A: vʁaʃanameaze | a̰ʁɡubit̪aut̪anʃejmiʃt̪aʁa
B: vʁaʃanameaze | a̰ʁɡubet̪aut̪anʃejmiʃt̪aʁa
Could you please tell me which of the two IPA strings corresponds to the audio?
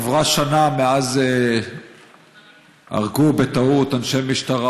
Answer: B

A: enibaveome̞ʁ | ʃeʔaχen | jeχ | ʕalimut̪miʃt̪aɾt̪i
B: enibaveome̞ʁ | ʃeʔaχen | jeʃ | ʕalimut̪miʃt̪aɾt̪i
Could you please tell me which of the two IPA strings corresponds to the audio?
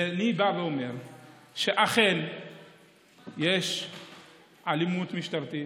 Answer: B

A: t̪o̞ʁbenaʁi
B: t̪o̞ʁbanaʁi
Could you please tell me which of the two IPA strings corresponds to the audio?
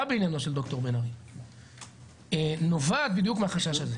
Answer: A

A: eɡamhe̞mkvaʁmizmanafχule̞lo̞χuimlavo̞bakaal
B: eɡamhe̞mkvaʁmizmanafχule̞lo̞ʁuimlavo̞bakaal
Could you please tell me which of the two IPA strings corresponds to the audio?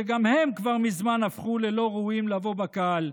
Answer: B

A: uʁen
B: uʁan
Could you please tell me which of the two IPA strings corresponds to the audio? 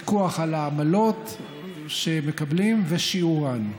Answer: B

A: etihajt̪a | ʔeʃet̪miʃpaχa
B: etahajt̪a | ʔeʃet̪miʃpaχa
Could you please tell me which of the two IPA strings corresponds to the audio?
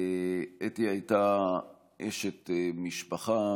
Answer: A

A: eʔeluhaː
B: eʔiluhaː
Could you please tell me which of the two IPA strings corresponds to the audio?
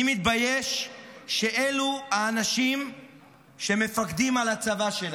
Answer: A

